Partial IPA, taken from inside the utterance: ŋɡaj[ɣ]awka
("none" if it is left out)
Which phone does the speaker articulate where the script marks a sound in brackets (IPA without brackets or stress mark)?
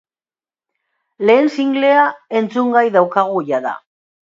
ð